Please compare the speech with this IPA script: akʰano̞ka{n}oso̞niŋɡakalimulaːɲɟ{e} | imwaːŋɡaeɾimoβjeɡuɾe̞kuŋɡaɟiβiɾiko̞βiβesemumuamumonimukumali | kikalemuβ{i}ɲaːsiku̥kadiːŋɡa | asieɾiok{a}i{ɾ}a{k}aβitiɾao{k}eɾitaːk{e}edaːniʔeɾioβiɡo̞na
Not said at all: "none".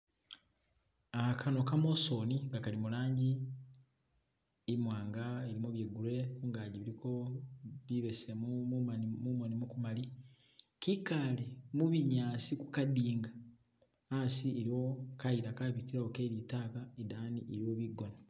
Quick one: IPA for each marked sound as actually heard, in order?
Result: m, i, i, a, ɾ, k, k, a

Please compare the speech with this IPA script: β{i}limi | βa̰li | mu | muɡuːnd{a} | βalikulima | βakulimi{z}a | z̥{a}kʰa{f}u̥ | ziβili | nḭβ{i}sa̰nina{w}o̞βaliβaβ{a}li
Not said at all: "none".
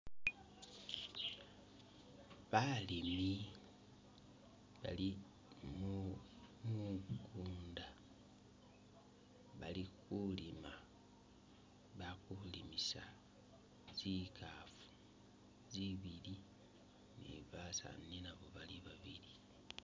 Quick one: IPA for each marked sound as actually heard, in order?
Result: a, a, s, i, f, a, β, i

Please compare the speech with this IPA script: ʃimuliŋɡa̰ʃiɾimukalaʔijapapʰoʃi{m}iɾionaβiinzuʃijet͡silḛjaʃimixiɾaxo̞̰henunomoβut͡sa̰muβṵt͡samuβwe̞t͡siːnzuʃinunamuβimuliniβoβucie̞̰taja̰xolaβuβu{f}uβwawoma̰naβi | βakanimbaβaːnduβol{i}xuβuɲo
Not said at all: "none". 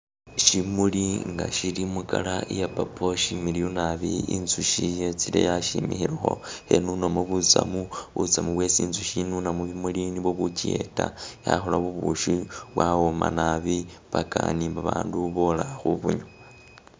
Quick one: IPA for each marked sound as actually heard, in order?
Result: m, ʃ, a

